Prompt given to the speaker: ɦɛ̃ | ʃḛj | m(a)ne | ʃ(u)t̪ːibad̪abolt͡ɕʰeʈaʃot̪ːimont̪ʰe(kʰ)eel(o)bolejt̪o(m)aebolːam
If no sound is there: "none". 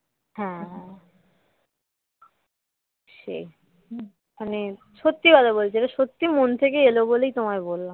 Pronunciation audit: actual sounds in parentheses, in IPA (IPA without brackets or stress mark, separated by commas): a, o, k, o, m